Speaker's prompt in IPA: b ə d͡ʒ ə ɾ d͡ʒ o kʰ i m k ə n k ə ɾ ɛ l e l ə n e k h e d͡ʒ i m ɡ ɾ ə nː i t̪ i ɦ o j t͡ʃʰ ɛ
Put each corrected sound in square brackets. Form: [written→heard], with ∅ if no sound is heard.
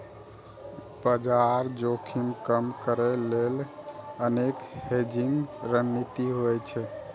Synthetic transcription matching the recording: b ə d͡ʒ [ə→a] ɾ d͡ʒ o kʰ i m k ə [n→m] k ə ɾ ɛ l e l ə n e k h e d͡ʒ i [m→ŋ] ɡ ɾ ə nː i t̪ i ɦ o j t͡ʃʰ ɛ